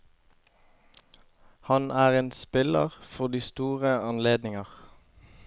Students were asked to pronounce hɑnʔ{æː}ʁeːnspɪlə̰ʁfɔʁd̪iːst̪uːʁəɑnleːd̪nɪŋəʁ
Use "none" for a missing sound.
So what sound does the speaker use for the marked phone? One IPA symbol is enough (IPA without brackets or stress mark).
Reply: æː